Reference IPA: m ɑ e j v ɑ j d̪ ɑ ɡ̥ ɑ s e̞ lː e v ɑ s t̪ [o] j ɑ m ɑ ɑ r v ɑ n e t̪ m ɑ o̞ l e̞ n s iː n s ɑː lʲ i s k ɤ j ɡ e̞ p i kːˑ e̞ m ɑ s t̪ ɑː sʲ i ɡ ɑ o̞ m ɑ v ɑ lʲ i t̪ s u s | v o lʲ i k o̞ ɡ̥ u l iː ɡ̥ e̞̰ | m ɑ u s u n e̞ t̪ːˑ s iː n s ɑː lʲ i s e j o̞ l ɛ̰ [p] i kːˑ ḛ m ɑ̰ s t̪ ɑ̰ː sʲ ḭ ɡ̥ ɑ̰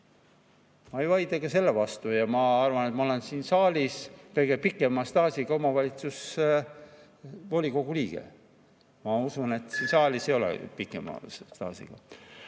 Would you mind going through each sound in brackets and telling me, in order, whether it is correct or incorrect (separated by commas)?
incorrect, correct